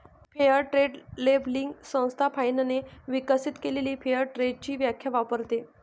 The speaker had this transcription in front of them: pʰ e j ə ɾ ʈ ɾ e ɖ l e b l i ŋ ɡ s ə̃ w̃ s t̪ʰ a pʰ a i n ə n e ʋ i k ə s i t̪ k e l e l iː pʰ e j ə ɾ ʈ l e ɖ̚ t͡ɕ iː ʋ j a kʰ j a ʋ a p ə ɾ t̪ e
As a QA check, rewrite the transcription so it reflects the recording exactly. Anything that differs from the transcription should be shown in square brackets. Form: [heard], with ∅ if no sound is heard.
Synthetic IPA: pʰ e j ə ɾ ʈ ɾ e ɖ l e b l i ŋ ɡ s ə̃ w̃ s t̪ʰ a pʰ a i n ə n e ʋ i k ə s i t̪ k e l e l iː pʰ e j ə ɾ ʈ [ɾ] e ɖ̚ t͡ɕ iː ʋ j a kʰ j a ʋ a p ə ɾ t̪ e